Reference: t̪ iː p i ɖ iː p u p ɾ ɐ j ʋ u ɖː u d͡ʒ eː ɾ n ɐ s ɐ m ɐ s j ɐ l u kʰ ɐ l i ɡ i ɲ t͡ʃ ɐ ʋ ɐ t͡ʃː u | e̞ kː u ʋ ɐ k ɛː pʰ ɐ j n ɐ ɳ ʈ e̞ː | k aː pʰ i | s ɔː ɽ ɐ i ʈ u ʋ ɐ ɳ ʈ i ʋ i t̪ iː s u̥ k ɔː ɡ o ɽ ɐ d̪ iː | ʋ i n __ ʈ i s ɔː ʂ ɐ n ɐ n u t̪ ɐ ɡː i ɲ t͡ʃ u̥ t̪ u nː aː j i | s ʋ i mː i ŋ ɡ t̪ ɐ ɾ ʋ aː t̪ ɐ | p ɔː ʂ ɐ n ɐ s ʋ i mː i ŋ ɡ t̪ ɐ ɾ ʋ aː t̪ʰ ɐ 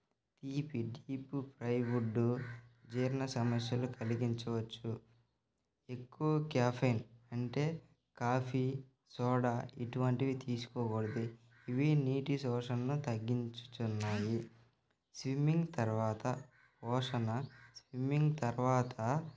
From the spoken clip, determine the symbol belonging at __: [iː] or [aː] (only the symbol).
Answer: iː